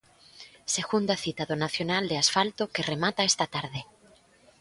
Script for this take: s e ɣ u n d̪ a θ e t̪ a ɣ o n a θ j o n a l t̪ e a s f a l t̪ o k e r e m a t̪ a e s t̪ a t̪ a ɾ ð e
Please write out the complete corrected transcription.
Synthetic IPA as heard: s e ɣ u n d̪ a θ i t̪ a ð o n a θ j o n a l d̪ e a s f a l t̪ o k e r e m a t̪ a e s t̪ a t̪ a ɾ ð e